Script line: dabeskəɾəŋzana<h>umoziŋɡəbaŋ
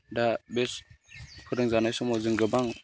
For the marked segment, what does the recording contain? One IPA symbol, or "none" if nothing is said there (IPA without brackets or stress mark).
s